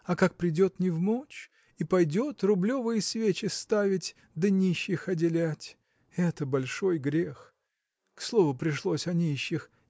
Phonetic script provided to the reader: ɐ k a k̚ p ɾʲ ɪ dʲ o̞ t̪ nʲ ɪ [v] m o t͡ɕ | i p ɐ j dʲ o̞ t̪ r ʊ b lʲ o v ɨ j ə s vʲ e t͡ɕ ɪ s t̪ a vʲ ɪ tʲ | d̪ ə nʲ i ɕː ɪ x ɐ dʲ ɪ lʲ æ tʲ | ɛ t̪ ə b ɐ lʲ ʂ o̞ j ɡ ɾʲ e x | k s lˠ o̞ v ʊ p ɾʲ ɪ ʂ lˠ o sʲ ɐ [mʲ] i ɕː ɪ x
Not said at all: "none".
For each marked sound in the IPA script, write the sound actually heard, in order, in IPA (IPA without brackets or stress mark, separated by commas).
v, nʲ